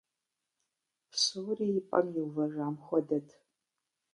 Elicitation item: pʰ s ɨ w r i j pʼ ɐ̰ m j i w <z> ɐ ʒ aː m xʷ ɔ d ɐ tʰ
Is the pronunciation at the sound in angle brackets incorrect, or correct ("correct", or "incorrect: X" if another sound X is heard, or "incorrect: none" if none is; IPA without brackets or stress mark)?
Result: incorrect: v